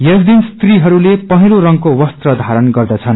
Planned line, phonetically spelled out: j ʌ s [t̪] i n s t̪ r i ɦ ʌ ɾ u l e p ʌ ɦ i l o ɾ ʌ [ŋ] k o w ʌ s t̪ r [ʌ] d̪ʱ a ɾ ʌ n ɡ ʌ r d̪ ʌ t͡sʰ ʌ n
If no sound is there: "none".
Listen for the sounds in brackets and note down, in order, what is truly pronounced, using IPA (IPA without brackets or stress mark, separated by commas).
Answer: d̪, ŋ, ʌ